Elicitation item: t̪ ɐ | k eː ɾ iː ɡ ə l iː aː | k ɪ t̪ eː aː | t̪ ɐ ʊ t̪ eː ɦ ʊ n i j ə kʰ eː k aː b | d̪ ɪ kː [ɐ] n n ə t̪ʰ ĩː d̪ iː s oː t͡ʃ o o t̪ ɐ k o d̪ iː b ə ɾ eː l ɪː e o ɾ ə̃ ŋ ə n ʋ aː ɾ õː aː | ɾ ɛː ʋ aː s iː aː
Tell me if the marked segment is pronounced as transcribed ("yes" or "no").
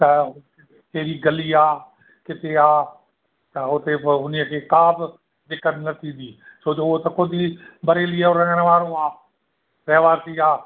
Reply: no